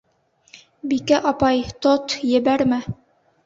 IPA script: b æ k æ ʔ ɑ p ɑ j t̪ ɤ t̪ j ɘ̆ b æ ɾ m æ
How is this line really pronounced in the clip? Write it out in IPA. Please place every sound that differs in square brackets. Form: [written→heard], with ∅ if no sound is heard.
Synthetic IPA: b [æ→i] k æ ʔ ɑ p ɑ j t̪ [ɤ→o] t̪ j ɘ̆ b æ ɾ m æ